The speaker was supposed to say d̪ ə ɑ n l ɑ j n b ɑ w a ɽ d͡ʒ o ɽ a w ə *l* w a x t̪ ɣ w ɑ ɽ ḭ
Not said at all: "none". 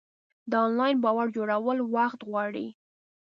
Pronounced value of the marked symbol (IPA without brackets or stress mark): l